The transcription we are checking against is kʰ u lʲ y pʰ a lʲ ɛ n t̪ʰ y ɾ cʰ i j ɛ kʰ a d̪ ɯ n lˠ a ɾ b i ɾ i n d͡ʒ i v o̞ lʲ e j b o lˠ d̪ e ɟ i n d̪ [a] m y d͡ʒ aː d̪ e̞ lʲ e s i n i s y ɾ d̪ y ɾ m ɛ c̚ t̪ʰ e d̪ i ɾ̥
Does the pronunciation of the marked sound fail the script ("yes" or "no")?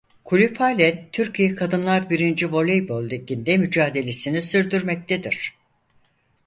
yes